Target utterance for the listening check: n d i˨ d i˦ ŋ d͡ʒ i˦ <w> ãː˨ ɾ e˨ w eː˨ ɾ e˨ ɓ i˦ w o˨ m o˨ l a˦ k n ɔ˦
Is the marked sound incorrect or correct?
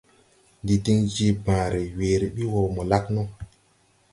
incorrect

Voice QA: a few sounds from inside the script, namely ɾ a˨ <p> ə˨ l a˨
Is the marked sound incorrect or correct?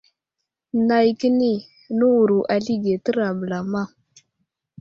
incorrect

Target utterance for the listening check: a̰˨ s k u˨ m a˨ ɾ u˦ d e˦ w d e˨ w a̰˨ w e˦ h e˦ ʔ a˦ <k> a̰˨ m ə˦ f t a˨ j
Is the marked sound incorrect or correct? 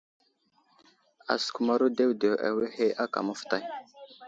correct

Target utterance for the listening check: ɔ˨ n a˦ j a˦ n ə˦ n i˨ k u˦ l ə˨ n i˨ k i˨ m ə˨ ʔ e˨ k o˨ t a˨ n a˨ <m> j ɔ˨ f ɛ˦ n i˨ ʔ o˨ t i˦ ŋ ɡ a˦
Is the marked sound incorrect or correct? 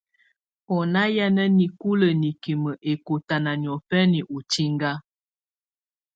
incorrect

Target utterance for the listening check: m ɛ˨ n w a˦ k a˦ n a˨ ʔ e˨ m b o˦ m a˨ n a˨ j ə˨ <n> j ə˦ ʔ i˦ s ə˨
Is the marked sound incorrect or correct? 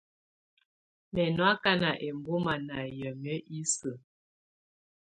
incorrect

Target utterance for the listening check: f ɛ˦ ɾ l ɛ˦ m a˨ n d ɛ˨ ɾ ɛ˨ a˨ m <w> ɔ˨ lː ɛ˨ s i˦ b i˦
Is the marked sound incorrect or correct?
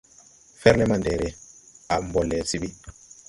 incorrect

